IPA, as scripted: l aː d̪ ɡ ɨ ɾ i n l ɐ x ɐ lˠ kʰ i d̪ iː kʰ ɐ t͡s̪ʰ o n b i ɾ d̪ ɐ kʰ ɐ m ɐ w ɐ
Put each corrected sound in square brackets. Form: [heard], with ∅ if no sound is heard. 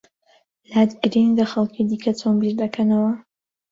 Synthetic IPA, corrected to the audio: l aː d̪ ɡ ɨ ɾ i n l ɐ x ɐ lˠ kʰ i d̪ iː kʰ ɐ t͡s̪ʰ o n b i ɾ d̪ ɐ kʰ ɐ [n] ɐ w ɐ